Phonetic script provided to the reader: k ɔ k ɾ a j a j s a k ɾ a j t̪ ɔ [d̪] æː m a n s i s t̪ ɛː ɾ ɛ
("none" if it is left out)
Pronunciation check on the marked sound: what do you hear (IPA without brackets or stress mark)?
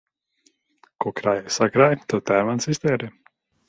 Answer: t̪